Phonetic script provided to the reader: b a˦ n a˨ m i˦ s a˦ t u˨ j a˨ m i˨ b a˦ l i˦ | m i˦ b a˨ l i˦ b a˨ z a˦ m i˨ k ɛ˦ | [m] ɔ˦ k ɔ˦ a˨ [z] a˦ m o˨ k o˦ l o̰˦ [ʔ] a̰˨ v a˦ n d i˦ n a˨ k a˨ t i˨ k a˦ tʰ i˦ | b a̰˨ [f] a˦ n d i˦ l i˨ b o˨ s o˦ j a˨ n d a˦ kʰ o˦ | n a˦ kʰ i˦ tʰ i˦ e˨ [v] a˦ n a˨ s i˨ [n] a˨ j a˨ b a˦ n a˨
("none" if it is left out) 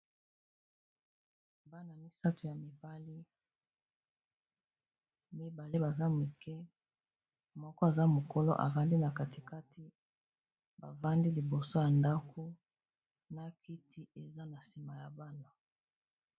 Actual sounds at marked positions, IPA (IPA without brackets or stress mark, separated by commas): m, z, ʔ, v, z, m